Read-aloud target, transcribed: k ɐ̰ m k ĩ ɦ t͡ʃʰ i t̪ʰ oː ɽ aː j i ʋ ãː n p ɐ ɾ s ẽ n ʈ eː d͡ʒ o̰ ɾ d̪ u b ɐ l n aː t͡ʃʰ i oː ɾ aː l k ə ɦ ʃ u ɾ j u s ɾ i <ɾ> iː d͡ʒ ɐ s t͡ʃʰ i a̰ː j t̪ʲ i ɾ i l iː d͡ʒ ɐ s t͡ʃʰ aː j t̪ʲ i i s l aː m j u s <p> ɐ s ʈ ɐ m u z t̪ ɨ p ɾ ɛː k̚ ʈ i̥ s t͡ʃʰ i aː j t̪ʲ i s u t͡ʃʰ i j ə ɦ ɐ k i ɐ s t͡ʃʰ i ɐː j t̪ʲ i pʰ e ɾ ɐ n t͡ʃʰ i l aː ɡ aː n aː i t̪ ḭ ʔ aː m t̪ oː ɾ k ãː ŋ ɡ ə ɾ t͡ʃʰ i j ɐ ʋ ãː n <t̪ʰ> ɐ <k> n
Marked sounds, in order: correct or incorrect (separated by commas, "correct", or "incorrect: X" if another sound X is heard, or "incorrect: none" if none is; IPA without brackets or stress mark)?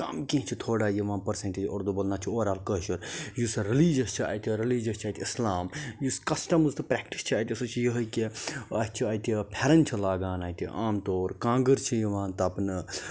incorrect: l, incorrect: k, incorrect: t̪, incorrect: p